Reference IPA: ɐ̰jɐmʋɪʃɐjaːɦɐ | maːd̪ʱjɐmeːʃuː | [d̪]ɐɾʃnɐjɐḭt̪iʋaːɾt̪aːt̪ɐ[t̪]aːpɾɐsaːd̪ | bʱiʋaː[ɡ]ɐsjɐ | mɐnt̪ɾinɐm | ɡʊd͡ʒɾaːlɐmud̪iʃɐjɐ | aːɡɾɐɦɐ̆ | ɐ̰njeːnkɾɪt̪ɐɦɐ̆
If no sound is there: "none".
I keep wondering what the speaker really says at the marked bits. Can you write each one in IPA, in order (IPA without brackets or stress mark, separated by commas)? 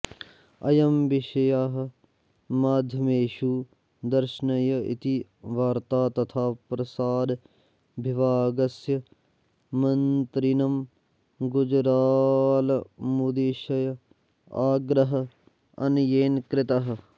d̪, t̪ʰ, ɡ